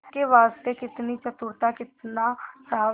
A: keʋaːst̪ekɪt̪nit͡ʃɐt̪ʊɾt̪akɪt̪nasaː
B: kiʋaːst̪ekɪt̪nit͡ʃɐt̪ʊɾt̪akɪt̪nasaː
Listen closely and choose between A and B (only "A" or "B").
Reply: A